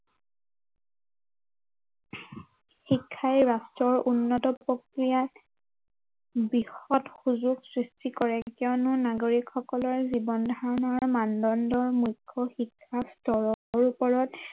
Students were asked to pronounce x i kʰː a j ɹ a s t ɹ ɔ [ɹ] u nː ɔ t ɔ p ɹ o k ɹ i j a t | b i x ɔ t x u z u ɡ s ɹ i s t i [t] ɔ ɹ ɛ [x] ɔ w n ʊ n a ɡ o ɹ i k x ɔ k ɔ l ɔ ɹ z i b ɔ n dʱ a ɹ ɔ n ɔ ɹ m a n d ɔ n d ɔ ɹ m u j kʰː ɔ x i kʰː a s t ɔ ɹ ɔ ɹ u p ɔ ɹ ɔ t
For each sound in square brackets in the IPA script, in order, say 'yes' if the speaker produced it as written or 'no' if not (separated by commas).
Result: yes, no, no